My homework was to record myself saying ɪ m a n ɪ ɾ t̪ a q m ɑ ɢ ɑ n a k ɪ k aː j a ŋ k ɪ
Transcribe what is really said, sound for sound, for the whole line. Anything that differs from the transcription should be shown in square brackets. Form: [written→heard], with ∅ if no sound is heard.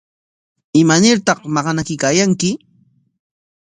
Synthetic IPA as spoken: ɪ m a n ɪ ɾ t̪ [a→ɑ] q m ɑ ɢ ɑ n a k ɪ k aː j a ŋ k ɪ